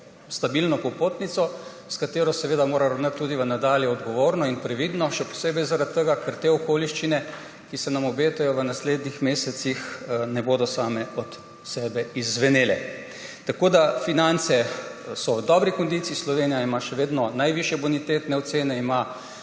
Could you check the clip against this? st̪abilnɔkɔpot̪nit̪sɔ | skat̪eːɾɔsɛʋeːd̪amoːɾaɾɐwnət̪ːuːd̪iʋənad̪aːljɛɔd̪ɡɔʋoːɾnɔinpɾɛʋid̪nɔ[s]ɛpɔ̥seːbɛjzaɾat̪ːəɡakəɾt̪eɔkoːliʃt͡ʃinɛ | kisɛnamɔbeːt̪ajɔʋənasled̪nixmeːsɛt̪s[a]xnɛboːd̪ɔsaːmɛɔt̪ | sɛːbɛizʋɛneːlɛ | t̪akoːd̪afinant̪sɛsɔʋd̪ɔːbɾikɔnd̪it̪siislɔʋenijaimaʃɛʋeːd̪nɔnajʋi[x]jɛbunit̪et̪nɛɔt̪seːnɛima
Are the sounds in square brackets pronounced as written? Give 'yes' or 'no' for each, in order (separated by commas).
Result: no, no, no